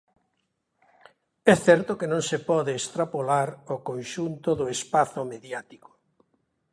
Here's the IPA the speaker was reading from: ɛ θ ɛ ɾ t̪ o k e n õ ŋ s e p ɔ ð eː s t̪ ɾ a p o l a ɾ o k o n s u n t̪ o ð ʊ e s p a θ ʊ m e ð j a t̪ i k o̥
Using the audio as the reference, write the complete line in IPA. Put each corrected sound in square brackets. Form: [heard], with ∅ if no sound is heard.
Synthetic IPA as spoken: ɛ θ ɛ ɾ t̪ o k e n õ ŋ s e p ɔ ð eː s t̪ ɾ a p o l a ɾ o k o n [ʃ] u n t̪ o ð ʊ e s p a θ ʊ m e ð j a t̪ i k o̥